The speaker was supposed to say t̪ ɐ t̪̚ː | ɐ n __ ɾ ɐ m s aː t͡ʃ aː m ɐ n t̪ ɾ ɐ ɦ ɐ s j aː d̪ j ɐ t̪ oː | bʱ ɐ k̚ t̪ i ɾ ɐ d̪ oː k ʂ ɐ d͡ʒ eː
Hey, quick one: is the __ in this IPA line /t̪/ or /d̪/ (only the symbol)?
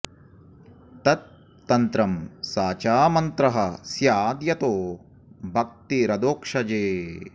t̪